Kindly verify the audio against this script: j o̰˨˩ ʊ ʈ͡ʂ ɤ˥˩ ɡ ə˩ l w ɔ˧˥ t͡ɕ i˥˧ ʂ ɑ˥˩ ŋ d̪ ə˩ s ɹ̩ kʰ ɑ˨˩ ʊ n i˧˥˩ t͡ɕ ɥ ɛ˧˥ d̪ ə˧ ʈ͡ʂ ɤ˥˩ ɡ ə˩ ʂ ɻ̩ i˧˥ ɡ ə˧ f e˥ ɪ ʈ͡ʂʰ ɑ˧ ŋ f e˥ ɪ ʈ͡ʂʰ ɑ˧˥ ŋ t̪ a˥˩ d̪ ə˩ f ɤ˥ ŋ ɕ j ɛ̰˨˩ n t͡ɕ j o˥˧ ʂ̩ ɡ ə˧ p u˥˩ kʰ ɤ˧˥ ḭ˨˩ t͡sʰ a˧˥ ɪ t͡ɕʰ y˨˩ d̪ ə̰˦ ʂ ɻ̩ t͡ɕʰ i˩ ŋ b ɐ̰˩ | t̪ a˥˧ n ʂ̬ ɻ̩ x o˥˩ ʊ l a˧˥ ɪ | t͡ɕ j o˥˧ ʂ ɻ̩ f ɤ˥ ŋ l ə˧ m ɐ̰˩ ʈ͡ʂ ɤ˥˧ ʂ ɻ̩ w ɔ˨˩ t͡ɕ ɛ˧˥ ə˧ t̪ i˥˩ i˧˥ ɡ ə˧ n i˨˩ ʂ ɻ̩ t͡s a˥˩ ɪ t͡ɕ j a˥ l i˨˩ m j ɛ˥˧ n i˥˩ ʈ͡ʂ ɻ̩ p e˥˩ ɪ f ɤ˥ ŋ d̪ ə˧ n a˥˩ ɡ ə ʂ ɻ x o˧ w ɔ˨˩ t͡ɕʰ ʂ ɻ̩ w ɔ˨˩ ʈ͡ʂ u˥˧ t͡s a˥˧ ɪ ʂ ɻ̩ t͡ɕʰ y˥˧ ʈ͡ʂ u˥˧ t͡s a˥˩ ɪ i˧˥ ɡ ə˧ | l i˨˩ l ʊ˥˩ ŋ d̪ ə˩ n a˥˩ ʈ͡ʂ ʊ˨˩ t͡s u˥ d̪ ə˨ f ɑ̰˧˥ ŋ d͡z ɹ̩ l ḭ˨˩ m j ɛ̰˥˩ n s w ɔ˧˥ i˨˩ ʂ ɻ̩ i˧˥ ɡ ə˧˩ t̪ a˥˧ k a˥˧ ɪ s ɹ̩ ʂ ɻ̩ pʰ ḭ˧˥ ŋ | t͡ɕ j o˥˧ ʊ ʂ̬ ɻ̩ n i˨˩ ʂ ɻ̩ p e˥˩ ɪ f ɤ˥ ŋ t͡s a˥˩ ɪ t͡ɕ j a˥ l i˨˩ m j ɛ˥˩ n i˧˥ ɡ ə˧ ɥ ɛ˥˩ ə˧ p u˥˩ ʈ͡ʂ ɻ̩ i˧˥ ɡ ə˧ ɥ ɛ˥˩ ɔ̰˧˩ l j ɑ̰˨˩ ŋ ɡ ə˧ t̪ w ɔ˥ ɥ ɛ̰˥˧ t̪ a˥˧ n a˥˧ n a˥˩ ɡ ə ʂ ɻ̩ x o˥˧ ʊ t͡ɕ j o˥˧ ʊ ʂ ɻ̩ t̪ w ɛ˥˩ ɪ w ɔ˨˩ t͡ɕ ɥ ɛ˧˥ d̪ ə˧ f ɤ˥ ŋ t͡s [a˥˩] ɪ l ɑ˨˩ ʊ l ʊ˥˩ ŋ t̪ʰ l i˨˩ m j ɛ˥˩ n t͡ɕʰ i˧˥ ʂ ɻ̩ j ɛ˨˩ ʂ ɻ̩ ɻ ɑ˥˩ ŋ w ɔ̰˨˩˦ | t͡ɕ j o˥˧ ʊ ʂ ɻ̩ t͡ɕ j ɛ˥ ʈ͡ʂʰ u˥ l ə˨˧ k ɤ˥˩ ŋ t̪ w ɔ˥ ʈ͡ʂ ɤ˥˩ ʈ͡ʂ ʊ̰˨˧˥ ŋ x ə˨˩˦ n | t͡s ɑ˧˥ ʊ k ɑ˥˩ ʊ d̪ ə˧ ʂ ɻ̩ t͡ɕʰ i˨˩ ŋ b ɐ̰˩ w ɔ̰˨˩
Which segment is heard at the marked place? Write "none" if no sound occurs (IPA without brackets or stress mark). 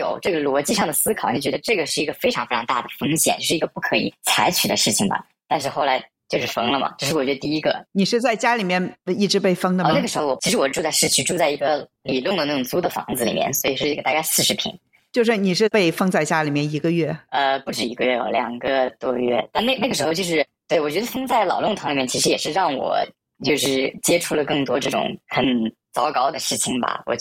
a˥˩